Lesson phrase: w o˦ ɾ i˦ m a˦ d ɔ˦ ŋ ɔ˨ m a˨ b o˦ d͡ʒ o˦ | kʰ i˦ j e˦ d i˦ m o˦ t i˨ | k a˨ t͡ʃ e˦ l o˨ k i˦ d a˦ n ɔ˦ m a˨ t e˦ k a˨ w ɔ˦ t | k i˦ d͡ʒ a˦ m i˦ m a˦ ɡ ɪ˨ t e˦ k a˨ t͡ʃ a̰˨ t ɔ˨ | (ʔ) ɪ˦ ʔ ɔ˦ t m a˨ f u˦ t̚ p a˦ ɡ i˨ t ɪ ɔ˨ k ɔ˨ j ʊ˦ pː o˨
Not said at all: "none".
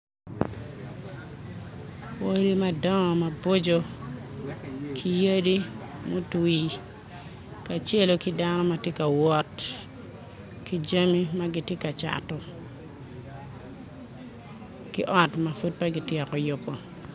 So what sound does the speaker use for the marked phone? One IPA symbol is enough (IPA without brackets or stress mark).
k